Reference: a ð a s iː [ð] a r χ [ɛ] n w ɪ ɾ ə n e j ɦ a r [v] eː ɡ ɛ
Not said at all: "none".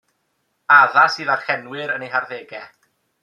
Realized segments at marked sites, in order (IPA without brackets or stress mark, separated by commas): ð, ɛ, ð